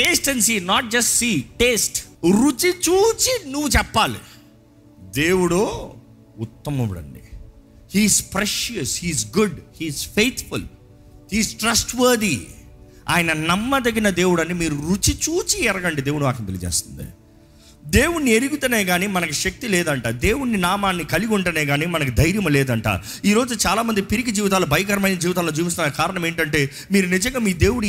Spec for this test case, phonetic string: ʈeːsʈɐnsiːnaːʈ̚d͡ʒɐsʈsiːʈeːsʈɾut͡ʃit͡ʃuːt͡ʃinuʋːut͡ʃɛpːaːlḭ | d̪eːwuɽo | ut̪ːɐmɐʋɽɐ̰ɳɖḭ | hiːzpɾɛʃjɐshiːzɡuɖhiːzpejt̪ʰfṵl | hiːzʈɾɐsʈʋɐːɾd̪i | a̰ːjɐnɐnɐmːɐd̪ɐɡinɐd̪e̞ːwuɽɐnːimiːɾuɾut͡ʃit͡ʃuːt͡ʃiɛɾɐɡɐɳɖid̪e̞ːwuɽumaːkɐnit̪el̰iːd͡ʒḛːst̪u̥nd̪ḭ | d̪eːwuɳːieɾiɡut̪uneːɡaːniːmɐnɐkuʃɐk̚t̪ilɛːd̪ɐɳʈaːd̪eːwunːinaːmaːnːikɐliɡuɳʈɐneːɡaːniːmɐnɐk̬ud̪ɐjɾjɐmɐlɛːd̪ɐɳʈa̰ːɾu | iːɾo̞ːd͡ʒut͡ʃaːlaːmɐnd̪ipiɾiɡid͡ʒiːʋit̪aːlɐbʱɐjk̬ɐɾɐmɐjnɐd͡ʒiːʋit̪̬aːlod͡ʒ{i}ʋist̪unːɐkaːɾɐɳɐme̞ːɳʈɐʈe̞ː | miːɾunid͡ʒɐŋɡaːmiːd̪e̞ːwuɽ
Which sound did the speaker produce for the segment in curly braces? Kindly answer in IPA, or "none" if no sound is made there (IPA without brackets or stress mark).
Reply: iː